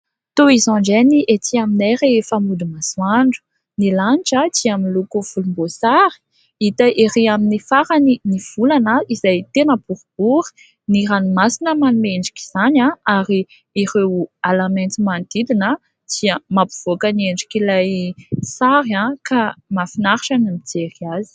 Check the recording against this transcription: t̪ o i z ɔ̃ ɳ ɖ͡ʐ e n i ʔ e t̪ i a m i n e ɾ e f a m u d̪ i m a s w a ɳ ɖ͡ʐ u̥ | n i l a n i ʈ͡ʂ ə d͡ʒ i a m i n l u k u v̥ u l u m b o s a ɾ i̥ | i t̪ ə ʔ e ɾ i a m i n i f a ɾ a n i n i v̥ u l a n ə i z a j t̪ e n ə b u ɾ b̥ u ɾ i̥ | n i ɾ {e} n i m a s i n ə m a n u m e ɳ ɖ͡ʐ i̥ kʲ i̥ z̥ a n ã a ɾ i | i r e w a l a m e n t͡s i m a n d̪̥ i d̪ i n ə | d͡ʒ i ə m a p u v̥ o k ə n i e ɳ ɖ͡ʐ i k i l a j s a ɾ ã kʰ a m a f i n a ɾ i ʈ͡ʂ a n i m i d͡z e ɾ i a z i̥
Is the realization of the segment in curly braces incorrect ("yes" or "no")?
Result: yes